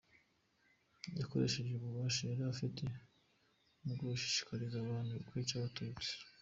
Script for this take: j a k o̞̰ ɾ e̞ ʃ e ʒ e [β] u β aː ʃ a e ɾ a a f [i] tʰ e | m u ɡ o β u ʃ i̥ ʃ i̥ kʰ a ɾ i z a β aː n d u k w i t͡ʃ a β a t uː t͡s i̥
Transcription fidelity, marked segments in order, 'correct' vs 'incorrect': correct, correct

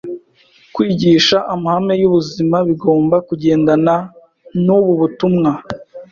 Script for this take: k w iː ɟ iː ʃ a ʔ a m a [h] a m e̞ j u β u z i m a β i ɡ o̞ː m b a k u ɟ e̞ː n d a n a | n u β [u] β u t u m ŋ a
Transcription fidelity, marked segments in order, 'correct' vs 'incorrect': correct, correct

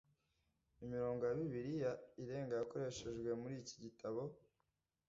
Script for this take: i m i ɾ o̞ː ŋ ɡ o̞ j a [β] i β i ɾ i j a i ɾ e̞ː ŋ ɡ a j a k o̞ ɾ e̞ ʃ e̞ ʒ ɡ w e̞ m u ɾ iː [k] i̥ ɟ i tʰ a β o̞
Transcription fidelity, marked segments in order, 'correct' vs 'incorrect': correct, incorrect

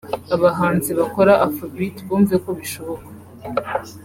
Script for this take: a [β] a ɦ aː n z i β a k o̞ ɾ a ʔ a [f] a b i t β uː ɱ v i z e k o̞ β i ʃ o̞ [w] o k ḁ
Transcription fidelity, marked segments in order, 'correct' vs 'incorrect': correct, correct, incorrect

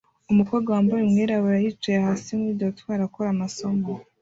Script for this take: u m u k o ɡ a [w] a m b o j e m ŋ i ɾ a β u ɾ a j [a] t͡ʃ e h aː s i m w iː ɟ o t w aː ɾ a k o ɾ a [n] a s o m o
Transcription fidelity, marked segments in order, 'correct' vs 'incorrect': correct, incorrect, incorrect

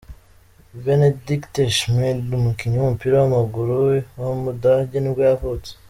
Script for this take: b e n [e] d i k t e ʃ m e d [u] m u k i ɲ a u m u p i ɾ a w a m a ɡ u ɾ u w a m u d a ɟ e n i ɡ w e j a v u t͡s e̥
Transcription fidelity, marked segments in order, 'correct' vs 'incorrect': correct, correct

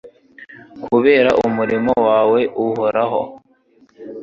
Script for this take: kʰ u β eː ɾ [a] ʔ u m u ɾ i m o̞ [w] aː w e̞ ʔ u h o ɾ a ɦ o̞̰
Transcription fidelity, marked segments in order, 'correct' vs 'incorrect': correct, correct

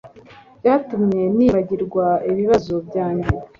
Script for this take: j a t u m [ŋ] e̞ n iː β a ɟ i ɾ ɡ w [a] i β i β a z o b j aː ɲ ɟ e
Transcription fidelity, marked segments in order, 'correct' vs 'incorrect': incorrect, correct

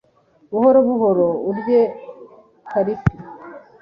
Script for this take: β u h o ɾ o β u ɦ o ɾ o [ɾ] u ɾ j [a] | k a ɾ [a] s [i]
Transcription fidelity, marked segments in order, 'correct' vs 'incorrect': incorrect, incorrect, incorrect, correct

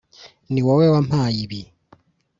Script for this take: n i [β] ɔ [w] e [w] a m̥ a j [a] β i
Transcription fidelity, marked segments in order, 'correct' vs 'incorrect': incorrect, correct, correct, incorrect

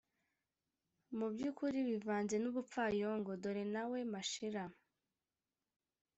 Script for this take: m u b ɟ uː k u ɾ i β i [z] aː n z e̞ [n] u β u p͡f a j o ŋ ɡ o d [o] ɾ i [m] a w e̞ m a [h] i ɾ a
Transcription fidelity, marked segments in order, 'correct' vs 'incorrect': incorrect, correct, correct, incorrect, incorrect

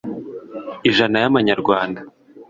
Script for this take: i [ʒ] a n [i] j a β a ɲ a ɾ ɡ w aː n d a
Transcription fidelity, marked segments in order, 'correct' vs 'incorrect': correct, incorrect

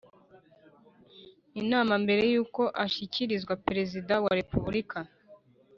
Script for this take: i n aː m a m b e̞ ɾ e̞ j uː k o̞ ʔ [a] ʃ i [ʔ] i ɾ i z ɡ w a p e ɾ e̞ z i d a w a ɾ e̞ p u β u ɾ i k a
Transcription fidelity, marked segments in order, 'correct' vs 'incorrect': correct, incorrect

